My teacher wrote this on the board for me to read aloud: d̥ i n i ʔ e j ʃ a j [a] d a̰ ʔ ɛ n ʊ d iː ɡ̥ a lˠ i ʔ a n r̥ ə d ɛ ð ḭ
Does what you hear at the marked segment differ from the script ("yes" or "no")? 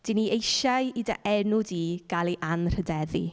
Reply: yes